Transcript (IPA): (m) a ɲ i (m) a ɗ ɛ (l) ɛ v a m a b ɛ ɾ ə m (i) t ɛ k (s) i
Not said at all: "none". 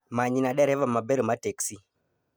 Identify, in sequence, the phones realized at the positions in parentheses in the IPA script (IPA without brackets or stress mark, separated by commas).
m, n, ɾ, a, s